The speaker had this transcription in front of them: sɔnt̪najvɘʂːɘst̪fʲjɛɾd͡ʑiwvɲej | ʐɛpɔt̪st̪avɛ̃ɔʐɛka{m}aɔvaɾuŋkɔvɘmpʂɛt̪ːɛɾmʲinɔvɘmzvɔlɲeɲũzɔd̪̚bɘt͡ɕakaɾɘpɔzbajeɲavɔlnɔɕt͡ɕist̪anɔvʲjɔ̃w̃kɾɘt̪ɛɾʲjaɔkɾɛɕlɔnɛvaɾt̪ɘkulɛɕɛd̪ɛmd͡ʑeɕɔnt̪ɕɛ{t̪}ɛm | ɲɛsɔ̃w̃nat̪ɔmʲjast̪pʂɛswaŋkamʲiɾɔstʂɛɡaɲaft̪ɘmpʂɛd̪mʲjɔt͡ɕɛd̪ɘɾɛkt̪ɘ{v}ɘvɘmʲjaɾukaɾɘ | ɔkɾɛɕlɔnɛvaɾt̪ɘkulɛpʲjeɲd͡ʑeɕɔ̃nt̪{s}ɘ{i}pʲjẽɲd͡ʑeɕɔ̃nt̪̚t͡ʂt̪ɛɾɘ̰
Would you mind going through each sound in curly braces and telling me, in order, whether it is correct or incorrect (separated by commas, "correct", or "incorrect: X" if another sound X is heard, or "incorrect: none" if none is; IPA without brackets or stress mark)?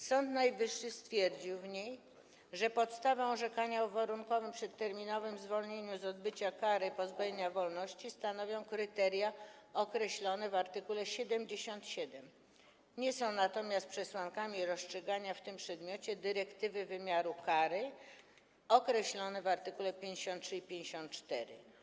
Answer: incorrect: ɲ, incorrect: d̪, correct, incorrect: ʂ, correct